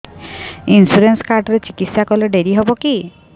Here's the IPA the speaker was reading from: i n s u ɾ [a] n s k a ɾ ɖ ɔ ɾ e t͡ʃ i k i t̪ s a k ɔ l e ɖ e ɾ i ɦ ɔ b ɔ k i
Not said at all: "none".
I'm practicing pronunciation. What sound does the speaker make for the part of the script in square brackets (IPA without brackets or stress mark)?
e